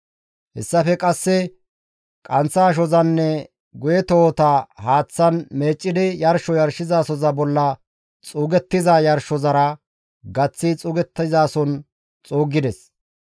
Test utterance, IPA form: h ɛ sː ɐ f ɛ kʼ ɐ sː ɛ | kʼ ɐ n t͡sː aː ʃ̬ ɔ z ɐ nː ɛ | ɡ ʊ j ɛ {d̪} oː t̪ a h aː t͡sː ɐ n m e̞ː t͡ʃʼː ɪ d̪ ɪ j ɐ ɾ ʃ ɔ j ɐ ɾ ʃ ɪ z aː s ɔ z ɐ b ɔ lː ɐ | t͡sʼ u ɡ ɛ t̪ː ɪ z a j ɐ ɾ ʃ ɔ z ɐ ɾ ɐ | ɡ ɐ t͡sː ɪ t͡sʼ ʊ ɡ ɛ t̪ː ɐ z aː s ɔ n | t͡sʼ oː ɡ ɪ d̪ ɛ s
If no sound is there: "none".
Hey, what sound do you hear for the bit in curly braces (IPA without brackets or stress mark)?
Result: t̪